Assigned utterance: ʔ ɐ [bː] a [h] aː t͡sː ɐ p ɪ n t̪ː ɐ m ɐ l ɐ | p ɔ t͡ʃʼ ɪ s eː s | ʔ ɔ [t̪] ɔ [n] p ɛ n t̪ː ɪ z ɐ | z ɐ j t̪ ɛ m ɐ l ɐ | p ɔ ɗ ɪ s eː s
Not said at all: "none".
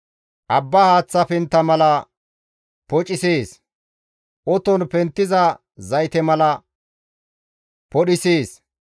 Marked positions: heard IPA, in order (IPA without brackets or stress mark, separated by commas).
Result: bː, h, t̪, n